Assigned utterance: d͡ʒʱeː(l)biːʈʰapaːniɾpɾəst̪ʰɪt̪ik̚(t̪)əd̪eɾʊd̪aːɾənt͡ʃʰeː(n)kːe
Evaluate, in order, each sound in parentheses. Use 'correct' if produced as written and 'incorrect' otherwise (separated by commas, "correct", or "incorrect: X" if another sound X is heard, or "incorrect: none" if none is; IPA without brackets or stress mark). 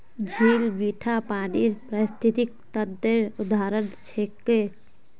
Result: correct, correct, incorrect: none